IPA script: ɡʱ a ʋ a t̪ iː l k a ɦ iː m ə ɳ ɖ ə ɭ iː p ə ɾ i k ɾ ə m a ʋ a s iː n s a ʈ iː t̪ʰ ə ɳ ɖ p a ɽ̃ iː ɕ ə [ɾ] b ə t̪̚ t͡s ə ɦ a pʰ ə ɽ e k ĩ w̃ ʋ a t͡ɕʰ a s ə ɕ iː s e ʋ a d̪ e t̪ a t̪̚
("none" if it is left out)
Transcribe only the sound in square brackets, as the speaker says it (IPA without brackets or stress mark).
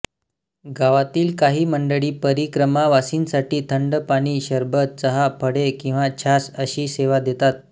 ɾ